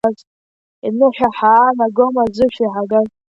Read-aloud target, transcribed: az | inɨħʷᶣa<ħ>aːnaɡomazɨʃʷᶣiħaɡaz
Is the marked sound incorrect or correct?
correct